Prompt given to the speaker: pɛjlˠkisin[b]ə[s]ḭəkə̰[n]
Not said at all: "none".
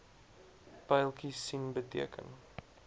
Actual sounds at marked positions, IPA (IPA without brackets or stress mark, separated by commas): b, t, n